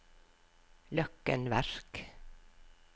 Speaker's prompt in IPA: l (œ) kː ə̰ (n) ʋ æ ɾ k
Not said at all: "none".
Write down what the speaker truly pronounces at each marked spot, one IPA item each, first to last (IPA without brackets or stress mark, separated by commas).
œ, n